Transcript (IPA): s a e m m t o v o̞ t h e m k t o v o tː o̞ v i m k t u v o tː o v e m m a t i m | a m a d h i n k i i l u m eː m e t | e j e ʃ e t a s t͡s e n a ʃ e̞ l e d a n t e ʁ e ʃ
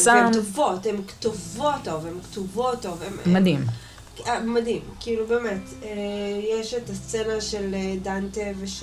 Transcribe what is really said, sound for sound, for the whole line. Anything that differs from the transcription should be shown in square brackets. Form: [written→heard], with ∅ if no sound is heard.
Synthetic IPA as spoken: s a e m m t o v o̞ t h e m k t o v o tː o̞ v [i→e] m k t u v o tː o v e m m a [t→d] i m | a m a d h i [n→m] k i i l u [m→b] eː m e t | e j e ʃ e t a s t͡s e n a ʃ e̞ l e d a n t e [ʁ→v] e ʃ